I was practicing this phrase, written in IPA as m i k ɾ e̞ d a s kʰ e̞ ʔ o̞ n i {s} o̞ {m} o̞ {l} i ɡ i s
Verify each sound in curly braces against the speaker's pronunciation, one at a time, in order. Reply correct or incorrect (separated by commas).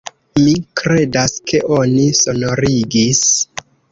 correct, incorrect, incorrect